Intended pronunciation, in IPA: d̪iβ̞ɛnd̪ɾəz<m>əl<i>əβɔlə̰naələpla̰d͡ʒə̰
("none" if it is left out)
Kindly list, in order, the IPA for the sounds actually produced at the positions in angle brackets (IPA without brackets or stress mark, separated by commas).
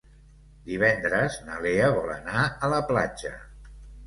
n, e